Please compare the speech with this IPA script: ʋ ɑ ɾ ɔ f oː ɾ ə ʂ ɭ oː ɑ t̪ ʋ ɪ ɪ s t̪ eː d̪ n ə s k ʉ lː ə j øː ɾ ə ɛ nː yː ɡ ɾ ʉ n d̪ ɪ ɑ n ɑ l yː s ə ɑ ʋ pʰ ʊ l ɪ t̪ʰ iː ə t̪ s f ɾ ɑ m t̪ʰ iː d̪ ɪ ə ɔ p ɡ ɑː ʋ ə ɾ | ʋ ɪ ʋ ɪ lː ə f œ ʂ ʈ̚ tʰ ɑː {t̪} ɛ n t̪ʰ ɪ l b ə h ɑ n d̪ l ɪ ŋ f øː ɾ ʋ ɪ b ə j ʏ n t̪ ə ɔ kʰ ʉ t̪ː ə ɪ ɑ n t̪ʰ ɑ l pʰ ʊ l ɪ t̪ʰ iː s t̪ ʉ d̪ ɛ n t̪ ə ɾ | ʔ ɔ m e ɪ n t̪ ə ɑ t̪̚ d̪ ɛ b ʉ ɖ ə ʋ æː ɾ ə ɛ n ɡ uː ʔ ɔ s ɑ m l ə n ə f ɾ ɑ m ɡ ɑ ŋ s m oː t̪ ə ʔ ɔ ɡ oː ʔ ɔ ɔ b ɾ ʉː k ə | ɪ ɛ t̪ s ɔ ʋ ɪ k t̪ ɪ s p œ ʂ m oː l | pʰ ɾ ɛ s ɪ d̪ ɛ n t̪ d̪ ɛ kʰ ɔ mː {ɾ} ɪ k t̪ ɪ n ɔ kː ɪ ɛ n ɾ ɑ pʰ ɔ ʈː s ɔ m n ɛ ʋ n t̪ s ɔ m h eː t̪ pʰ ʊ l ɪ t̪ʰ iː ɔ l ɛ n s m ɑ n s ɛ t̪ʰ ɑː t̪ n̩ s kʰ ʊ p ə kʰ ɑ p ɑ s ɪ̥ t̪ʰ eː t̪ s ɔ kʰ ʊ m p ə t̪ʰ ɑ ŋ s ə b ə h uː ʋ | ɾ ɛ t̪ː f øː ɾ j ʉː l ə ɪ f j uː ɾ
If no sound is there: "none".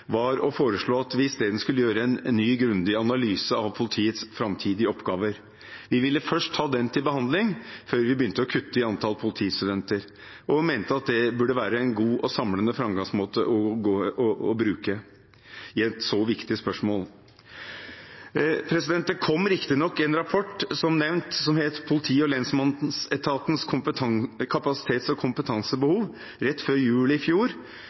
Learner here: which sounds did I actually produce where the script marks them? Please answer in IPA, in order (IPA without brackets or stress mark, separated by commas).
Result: d̪, ɾ